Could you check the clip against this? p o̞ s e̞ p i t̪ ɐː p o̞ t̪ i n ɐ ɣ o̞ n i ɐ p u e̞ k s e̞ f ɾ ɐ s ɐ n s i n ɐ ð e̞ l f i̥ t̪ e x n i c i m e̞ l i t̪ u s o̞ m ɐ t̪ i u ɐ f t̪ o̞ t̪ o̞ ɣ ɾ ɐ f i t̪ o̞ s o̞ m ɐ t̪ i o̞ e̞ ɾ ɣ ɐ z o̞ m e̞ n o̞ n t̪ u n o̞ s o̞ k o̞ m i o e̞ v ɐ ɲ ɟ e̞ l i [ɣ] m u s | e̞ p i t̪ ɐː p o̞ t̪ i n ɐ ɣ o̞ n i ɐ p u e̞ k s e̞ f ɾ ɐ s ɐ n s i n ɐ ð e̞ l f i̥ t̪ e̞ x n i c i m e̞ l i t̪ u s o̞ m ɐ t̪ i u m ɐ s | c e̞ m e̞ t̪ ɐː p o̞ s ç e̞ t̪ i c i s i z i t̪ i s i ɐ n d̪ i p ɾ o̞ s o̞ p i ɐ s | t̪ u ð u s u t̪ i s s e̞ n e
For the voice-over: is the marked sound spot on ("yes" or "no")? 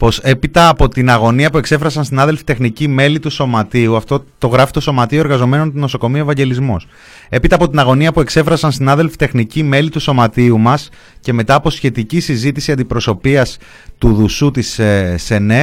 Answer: no